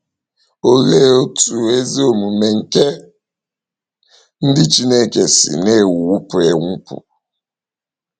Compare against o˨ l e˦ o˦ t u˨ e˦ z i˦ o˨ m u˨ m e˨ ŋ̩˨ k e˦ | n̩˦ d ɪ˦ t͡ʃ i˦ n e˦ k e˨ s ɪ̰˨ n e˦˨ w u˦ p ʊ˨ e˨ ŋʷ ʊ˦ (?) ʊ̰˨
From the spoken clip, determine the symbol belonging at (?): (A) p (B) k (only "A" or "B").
A